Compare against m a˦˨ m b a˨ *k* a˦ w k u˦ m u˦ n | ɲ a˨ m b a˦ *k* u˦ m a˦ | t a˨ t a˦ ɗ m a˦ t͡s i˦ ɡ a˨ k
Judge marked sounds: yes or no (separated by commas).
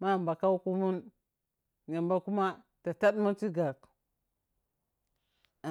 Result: yes, yes